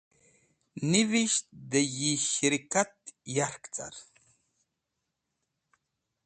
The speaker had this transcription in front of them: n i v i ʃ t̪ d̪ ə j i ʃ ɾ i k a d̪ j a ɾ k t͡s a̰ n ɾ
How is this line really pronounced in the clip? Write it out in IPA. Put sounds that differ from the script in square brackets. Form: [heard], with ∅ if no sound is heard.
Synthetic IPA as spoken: n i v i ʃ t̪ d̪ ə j i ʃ ɾ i k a [t̪] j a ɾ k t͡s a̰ [∅] ɾ